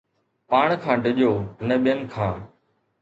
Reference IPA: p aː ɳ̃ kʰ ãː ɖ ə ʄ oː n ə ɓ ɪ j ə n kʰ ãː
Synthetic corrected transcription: p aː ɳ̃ kʰ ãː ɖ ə ʄ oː n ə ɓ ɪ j ə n kʰ ãː